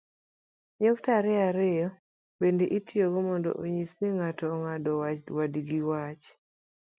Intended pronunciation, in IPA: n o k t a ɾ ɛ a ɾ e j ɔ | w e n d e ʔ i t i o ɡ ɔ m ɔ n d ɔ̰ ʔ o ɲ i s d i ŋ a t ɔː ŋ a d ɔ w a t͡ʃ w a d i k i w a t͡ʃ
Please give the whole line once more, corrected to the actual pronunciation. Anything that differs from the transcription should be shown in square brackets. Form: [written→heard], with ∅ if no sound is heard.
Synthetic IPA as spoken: [n→ɲ] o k t a ɾ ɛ a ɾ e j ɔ | [w→b] e n d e ʔ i t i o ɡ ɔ m ɔ n d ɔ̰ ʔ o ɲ i s [d→n] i ŋ a t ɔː ŋ a d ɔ w a t͡ʃ w a d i [k→ɡ] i w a t͡ʃ